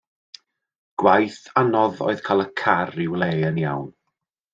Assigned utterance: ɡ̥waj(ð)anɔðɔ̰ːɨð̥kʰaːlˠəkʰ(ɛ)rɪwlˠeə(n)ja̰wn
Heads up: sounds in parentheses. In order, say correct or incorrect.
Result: incorrect, incorrect, correct

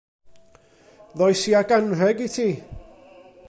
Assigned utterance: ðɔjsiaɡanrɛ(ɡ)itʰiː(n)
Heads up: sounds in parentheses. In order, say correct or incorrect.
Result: correct, incorrect

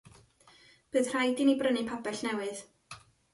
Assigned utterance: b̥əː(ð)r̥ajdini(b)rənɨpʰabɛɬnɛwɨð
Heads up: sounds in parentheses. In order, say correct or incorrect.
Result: correct, correct

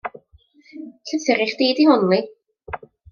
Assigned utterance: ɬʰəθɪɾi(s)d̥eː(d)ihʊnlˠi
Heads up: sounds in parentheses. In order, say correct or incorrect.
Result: incorrect, correct

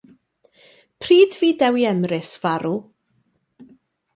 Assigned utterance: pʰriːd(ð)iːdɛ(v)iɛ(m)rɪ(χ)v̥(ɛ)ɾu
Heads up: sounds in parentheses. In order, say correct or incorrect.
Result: incorrect, incorrect, correct, incorrect, incorrect

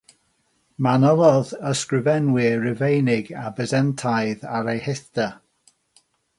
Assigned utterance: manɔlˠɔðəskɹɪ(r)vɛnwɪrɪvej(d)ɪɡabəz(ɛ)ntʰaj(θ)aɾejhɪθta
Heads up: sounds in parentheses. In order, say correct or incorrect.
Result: incorrect, incorrect, correct, incorrect

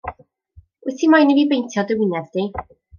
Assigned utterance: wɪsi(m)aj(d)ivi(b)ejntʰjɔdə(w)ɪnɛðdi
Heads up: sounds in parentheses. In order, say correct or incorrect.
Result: correct, incorrect, correct, correct

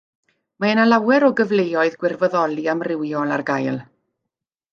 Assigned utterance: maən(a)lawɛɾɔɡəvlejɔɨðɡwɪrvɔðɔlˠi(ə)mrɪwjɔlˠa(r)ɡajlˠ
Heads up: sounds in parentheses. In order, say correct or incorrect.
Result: correct, incorrect, correct

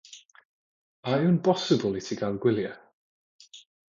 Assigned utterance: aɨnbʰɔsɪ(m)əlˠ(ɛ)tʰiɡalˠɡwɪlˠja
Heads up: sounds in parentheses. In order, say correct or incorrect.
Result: incorrect, incorrect

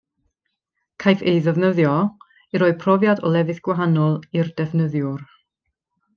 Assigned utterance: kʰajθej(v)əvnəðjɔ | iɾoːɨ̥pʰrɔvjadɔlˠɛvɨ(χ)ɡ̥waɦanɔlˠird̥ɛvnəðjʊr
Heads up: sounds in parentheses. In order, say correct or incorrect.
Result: incorrect, incorrect

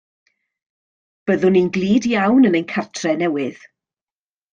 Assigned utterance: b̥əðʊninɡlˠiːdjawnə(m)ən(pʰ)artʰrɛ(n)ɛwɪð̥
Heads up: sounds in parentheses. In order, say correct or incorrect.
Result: incorrect, incorrect, correct

